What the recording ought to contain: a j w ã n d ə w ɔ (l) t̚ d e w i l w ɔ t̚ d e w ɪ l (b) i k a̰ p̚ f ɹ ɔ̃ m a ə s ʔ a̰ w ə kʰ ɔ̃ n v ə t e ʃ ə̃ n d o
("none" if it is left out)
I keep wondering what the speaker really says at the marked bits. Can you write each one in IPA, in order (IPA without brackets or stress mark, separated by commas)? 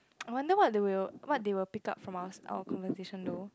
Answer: none, p